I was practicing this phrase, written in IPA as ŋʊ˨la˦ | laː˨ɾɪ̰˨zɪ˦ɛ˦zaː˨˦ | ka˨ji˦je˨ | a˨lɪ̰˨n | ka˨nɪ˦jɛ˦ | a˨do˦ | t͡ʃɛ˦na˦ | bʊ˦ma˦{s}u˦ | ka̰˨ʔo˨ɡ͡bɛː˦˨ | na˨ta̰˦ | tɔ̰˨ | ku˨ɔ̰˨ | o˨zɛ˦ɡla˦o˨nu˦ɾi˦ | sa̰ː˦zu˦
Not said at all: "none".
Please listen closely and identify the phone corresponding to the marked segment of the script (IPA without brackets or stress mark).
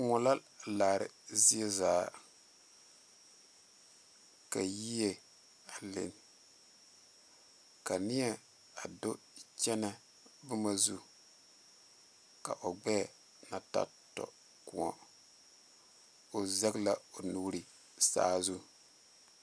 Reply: z